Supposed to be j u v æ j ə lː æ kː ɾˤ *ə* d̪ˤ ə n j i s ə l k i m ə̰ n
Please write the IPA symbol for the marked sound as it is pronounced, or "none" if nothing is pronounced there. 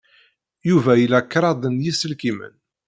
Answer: ɑ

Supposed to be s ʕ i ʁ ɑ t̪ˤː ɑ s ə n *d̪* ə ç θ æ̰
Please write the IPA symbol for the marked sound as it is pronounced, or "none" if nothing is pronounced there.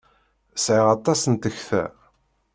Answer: t̪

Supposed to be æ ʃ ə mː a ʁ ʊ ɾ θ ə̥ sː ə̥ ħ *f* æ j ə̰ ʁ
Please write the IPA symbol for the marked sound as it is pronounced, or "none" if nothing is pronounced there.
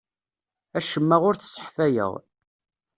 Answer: f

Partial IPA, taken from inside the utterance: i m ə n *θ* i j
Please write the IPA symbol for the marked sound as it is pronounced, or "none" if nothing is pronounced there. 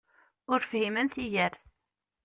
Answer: θ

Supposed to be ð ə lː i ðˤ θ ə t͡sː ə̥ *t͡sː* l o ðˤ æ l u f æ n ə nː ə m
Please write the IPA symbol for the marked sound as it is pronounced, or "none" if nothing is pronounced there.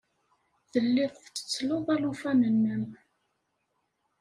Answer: t͡sː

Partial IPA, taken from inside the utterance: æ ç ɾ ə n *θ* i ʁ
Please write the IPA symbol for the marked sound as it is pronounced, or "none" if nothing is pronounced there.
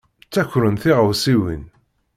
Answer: θ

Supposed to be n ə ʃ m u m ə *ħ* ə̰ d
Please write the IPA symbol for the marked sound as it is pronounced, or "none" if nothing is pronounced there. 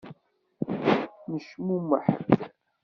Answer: ħ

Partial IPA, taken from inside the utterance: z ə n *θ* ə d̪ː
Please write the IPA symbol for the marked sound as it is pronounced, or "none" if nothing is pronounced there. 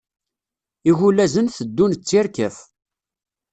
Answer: θ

